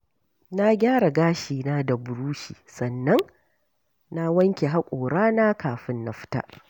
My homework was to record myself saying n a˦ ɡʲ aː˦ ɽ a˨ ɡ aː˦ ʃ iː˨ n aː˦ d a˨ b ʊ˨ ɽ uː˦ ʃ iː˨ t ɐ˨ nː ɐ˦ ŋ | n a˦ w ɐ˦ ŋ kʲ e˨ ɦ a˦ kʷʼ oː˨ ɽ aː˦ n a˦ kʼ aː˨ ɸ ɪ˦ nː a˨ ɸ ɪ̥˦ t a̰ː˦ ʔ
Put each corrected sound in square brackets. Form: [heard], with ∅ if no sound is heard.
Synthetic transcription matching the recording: n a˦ ɡʲ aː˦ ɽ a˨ ɡ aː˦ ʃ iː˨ n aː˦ d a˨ b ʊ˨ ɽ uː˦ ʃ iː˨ [s] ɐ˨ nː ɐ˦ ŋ | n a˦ w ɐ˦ ŋ kʲ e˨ ɦ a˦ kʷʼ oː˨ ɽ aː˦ n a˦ [k] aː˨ ɸ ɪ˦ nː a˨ ɸ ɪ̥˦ t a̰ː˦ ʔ

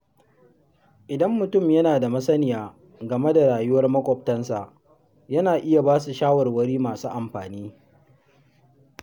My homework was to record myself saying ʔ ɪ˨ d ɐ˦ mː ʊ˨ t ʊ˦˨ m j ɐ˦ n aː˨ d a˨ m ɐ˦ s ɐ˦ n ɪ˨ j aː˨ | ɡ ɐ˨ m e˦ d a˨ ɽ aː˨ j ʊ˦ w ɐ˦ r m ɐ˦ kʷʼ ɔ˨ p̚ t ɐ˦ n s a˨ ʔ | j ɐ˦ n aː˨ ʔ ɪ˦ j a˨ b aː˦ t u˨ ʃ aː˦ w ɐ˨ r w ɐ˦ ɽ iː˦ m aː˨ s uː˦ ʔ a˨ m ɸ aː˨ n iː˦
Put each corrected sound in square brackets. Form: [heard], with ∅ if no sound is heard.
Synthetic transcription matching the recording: ʔ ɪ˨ d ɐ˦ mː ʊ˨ t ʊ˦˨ m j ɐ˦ n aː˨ d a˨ m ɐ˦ s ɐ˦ n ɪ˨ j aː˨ | ɡ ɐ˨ m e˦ d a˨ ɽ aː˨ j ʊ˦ w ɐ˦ r m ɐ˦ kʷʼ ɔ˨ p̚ t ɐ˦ n s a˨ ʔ | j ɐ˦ n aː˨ ʔ ɪ˦ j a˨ b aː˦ [s] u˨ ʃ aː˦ w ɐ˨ r w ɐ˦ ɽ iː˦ m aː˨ s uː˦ ʔ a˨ m ɸ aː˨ n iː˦

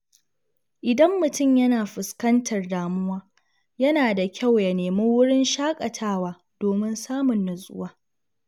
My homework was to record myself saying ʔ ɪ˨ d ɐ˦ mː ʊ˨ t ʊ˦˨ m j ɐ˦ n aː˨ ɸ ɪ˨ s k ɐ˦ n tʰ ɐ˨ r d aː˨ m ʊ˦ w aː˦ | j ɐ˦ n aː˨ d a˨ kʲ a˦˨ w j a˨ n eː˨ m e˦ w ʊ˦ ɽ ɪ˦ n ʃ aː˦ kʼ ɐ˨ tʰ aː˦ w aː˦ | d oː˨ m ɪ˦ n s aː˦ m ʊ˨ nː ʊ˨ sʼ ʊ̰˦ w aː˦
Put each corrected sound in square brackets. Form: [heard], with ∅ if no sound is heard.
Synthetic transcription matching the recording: ʔ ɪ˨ d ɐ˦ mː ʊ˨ t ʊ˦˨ m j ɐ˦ n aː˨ ɸ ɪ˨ s k ɐ˦ n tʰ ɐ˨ r d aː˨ m ʊ˦ w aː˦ | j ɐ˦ n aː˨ d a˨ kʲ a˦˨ w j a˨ n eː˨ m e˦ w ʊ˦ ɽ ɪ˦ n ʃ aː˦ kʼ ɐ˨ tʰ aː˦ w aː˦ | d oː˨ m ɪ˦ n s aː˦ m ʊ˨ nː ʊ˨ sʼ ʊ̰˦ w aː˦

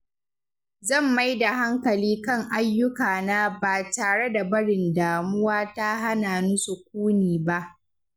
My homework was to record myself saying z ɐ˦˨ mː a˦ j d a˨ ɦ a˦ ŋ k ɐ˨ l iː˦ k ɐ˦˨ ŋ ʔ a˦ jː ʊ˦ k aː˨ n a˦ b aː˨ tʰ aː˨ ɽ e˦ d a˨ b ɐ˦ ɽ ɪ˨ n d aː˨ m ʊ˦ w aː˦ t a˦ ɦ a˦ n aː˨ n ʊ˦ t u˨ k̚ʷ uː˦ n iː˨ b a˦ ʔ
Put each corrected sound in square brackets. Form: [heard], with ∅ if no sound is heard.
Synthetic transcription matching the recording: z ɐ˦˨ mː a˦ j d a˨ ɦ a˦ ŋ k ɐ˨ l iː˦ k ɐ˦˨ ŋ ʔ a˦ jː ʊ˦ k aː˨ n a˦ b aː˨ [t] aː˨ ɽ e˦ d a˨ b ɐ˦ ɽ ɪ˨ n d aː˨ m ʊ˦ w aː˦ t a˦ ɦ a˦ n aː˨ n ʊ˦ [s] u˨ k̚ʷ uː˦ n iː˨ b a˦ ʔ

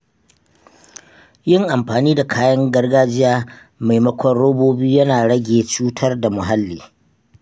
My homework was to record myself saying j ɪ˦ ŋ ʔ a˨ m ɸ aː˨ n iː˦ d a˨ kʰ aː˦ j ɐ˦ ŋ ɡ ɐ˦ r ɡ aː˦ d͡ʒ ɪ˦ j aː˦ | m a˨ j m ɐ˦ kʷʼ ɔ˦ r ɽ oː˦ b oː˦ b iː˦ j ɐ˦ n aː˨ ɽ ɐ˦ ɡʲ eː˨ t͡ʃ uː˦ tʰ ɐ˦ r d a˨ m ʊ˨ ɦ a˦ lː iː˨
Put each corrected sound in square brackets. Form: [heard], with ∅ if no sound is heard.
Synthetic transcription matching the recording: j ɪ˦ ŋ ʔ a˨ m ɸ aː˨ n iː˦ d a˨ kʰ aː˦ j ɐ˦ ŋ ɡ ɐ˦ r ɡ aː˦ d͡ʒ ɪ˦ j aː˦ | m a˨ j m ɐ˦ [kʷ] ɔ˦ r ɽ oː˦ b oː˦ b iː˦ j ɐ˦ n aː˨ ɽ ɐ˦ ɡʲ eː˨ t͡ʃ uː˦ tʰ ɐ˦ r d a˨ m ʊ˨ ɦ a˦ lː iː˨

